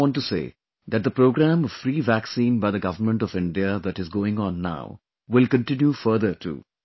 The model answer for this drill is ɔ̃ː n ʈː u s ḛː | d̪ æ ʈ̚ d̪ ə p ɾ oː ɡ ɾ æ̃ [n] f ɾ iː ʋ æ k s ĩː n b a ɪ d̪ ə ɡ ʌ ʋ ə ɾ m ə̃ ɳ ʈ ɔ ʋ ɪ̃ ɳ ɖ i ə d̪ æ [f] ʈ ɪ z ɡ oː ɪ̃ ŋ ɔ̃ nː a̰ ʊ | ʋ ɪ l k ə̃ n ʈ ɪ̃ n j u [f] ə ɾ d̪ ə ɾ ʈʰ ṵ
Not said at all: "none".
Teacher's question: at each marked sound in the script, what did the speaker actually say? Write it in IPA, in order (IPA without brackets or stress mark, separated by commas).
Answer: m, none, f